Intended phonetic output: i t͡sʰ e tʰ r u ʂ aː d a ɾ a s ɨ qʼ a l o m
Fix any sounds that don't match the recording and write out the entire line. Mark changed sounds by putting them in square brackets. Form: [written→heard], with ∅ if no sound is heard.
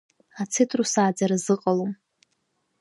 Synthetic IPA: [i→a] t͡sʰ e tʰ r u [ʂ→s] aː [d→d͡z] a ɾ a [s→z] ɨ qʼ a l o m